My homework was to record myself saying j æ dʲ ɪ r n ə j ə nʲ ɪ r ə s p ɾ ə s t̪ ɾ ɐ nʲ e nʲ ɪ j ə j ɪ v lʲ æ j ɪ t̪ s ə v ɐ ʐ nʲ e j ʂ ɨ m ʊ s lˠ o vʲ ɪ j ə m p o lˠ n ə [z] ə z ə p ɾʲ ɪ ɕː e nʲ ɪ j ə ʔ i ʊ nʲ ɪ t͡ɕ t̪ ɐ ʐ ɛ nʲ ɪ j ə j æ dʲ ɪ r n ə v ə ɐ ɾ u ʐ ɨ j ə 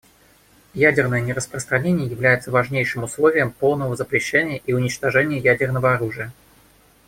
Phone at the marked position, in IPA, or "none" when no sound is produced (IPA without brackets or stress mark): v